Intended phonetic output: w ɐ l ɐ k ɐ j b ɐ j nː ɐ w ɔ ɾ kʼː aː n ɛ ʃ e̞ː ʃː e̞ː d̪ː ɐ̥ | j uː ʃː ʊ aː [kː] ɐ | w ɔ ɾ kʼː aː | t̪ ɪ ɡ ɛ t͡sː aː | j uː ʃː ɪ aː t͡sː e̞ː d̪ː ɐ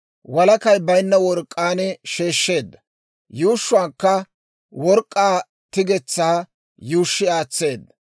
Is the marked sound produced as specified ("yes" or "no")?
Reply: yes